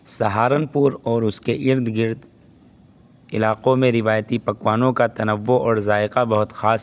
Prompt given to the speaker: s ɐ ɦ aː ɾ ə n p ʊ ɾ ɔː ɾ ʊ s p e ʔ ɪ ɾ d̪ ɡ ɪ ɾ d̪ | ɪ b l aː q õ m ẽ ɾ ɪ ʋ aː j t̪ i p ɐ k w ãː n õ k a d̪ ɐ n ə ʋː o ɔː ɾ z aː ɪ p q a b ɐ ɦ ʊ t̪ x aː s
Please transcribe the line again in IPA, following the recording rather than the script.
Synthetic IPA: s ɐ ɦ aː ɾ ə n p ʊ ɾ ɔː ɾ ʊ s k e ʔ ɪ ɾ d̪ ɡ ɪ ɾ d̪ | ɪ l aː q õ m ẽ ɾ ɪ ʋ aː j t̪ i p ɐ k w aː n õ k a t̪ ɐ n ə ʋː o ɔː ɾ z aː ɪ q a b ɐ ɦ ʊ t̪ x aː s

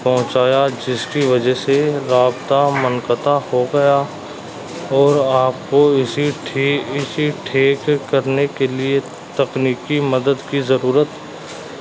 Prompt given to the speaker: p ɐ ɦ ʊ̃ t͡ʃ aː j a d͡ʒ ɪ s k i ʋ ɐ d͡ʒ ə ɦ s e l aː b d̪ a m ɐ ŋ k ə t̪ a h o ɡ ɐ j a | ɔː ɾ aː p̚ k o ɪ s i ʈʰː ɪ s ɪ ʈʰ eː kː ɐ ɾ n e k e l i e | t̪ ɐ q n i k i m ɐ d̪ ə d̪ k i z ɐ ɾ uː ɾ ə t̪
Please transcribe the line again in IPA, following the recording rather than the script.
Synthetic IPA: p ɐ ɦ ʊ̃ t͡ʃ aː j a d͡ʒ ɪ s k i ʋ ɐ d͡ʒ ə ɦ s e ɾ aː b t̪ a m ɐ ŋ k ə t̪ a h o ɡ ɐ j a | ɔː ɾ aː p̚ k o ɪ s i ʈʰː ɪ s i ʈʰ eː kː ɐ ɾ n e k e l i e | t̪ ɐ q n iː k i m ɐ d̪ ə d̪ k i z ɐ ɾ uː ɾ ə t̪

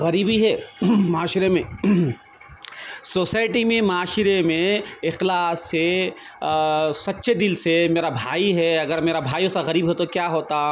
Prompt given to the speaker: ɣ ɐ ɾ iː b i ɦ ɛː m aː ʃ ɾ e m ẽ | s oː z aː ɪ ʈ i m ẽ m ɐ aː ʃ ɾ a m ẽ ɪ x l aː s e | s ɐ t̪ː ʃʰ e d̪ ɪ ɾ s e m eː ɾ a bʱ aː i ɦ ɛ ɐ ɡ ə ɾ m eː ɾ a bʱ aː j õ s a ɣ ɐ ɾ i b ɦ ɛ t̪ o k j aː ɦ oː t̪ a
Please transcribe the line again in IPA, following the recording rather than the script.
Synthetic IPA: ɣ ɐ ɾ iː b i ɦ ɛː m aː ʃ ɾ e m ẽ | s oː s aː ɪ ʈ i m ẽ m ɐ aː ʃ ɾ e m ẽ ɪ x l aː s e | s ɐ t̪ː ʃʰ e d̪ ɪ l s e m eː ɾ a bʱ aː i ɦ ɛ ɐ ɡ ə ɾ m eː ɾ a bʱ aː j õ s a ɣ ɐ ɾ iː b ɦ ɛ t̪ o k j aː ɦ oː t̪ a

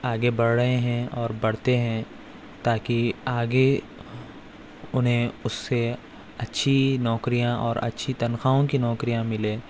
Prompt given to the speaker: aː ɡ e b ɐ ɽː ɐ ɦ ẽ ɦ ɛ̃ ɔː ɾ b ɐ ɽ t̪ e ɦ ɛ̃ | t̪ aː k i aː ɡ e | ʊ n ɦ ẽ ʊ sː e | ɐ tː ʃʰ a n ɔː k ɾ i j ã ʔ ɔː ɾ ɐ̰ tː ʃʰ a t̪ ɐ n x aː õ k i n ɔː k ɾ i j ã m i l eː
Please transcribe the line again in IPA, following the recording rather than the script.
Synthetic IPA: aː ɡ e b ɐ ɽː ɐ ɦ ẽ ɦ ɛ̃ ɔː ɾ b ɐ ɽ t̪ e ɦ ɛ̃ | t̪ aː k i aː ɡ e | ʊ n ɦ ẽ ʊ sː e | ɐ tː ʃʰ i n ɔː k ɾ i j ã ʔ ɔː ɾ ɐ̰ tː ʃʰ i t̪ ɐ n x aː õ k i n ɔː k ɾ i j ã m ɪ l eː

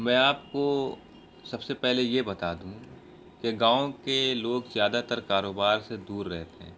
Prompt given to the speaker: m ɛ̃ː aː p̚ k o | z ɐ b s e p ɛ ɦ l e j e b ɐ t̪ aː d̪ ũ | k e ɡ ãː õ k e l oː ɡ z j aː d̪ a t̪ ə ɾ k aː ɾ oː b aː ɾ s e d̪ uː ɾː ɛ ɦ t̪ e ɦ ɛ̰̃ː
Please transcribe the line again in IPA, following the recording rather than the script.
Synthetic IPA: m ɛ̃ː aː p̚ k o | s ɐ b s e p ɛ ɦ l e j e b ɐ t̪ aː d̪ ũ | k e ɡ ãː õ k e l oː ɡ z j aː d̪ a t̪ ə ɾ k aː ɾ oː b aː ɾ s e d̪ uː ɾː ɛ ɦ t̪ e ɦ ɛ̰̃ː

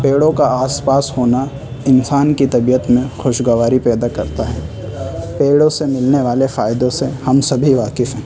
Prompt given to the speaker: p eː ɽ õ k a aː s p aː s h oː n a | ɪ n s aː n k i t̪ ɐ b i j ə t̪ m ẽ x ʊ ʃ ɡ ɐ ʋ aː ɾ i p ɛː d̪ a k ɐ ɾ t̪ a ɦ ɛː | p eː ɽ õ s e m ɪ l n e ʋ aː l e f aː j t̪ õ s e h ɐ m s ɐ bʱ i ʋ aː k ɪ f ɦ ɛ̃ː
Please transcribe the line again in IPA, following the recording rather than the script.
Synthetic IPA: p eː ɽ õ k a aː s p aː s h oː n a | ɪ n s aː n k i t̪ ɐ b i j ə t̪ m ẽ x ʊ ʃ ɡ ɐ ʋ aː ɾ i p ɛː d̪ a k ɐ ɾ t̪ a ɦ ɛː | p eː ɽ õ s e m ɪ l n e ʋ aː l e f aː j d̪ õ s e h ɐ m s ɐ bʱ i ʋ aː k ɪ f ɦ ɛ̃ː

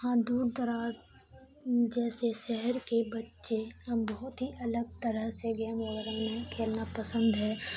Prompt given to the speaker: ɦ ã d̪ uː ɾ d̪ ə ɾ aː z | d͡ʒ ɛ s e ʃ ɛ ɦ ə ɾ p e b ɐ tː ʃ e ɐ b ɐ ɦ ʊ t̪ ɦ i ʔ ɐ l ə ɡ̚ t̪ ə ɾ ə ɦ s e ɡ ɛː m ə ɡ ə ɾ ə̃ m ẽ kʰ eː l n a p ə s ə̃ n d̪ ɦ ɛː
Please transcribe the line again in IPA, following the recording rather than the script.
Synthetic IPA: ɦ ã d̪ uː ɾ d̪ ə ɾ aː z | d͡ʒ ɛː s e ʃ ɛ ɦ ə ɾ k e b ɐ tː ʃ e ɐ b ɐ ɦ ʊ t̪ ɦ i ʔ ɐ l ə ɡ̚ t̪ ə ɾ ə ɦ s e ɡ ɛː m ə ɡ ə ɾ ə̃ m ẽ kʰ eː l n a p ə s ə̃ n d̪ ɦ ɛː

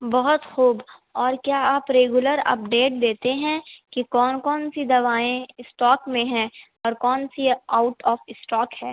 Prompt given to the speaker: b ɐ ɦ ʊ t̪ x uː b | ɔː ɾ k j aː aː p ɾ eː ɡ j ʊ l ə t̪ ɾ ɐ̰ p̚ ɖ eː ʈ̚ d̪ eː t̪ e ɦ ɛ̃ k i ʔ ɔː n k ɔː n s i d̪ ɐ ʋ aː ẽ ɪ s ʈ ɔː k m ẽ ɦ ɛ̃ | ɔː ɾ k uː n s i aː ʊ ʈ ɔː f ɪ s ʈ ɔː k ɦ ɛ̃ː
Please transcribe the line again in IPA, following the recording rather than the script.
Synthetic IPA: b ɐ ɦ ʊ t̪ x uː b | ɔː ɾ k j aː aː p ɾ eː ɡ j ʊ l ə ɾ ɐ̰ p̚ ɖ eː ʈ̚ d̪ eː t̪ e ɦ ɛ̃ k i k ɔː n k ɔː n s i d̪ ɐ ʋ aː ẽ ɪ s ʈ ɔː k m ẽ ɦ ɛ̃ | ɔː ɾ k ɔː n s i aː ʊ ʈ ɔː f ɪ s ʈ ɔː k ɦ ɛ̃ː

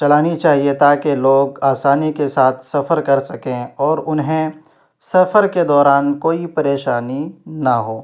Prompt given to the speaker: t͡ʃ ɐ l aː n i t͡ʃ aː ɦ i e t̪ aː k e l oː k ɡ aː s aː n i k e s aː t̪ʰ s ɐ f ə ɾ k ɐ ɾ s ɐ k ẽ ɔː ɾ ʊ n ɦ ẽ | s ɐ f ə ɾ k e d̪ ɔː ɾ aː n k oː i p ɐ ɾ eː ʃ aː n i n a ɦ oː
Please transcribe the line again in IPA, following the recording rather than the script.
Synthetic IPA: t͡ʃ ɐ l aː n i t͡ʃ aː ɦ i e t̪ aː k e l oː ɡ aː s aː n i k e s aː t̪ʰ s ɐ f ə ɾ k ɐ ɾ s ɐ k ẽ ɔː ɾ ʊ n ɦ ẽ | s ɐ f ə ɾ k e d̪ ɔː ɾ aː n k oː i p ɐ ɾ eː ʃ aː n i n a ɦ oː

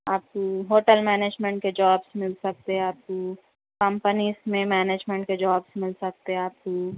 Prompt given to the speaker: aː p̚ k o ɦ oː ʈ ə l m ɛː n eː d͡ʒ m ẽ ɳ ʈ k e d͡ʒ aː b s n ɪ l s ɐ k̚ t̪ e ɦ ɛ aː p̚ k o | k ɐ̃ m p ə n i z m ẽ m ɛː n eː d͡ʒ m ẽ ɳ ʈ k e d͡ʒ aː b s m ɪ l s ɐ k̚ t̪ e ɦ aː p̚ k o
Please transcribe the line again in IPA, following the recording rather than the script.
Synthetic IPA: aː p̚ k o ɦ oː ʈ ə l m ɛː n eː d͡ʒ m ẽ ɳ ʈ k e d͡ʒ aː b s m ɪ l s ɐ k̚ t̪ e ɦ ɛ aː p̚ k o | k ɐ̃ m p ə n i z m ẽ m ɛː n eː d͡ʒ m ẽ ɳ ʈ k e d͡ʒ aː b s m ɪ l s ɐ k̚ t̪ e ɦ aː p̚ k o

